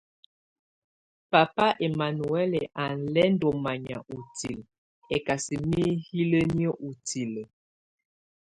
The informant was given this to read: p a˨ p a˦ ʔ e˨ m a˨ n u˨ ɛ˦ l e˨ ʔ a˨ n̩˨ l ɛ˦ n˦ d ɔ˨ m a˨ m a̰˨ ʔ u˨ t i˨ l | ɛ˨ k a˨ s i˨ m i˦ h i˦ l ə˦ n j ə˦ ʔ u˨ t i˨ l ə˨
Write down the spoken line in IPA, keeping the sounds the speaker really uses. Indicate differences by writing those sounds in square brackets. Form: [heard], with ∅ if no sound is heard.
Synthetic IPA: p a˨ p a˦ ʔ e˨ m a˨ n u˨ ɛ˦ l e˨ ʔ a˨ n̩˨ l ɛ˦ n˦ d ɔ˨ m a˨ [ɲ] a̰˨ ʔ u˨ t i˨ l | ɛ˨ k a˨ s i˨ m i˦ h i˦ l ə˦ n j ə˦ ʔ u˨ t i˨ l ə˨